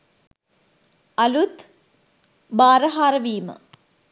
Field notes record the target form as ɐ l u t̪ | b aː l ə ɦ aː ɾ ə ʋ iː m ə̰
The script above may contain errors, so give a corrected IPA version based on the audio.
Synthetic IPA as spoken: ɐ l u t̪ | b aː ɾ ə ɦ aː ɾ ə ʋ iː m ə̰